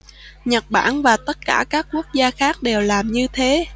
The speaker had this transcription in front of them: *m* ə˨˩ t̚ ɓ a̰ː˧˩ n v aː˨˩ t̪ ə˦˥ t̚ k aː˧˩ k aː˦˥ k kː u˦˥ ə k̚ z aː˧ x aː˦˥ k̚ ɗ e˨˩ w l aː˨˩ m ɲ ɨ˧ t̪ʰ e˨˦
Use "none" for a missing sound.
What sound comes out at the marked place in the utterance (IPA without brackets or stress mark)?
ɲ